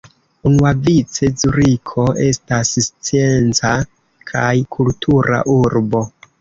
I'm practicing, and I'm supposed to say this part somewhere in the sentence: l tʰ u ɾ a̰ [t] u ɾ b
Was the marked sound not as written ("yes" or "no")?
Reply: yes